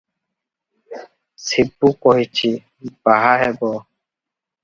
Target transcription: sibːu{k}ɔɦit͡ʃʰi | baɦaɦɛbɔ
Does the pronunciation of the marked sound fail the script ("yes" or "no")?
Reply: no